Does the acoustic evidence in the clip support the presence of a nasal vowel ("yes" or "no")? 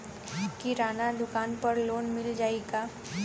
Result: no